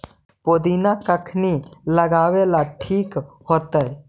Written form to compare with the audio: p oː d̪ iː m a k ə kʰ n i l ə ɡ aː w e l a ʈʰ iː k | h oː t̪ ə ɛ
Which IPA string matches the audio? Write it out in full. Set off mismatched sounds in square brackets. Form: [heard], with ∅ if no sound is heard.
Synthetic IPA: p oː d̪ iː [n] a k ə kʰ n i l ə ɡ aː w e l a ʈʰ iː k | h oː t̪ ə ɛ

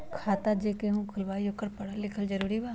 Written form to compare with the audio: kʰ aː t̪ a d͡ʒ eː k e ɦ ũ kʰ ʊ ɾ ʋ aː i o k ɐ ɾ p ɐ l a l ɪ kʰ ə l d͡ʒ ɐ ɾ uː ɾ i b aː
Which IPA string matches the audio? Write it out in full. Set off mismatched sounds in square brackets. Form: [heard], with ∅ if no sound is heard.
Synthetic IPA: kʰ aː t̪ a d͡ʒ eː k e ɦ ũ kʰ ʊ [l] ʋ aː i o k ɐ ɾ p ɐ [ɽ] a l ɪ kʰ ə l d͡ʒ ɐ ɾ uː ɾ i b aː

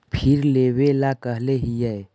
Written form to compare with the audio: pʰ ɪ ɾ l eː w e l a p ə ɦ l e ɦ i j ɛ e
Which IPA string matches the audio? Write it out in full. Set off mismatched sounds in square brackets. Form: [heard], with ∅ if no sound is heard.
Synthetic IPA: pʰ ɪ ɾ l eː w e l a [k] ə ɦ l e ɦ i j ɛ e

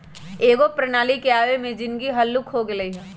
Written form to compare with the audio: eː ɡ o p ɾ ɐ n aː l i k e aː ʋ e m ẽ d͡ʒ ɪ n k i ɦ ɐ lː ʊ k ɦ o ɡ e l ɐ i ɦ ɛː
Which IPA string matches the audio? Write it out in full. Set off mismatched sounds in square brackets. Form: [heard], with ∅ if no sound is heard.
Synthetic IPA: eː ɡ o p ɾ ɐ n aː l i k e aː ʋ e m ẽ d͡ʒ ɪ n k i ɦ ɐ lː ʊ k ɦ o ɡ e l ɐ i ɦ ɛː

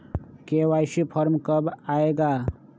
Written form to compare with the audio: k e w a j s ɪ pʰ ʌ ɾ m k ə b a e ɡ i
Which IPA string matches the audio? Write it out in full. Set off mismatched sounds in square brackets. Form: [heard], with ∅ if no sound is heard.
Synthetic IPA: k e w a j s [i] pʰ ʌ ɾ m k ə b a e ɡ [a]

